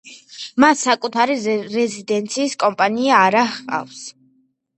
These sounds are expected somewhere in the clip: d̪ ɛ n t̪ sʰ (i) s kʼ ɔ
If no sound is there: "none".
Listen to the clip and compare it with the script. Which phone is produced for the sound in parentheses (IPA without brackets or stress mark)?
iː